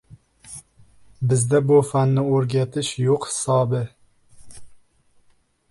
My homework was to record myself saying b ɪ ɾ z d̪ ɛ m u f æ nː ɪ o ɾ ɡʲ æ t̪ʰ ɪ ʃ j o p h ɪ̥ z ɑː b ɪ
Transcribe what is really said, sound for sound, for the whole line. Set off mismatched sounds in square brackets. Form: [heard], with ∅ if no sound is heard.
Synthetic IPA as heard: b ɪ [∅] z d̪ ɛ [b] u f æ nː ɪ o ɾ ɡʲ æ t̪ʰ ɪ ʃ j o [q] h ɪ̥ [s] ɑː b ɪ